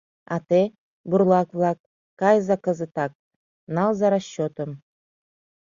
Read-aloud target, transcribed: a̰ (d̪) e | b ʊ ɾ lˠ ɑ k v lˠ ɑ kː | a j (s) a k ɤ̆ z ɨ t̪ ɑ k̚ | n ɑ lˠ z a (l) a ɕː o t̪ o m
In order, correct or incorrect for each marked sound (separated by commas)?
incorrect, incorrect, incorrect